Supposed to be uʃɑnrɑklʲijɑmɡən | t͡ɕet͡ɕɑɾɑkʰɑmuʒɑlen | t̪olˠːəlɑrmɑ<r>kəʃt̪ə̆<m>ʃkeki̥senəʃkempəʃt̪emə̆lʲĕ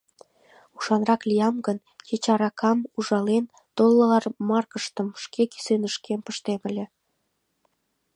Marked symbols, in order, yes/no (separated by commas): yes, yes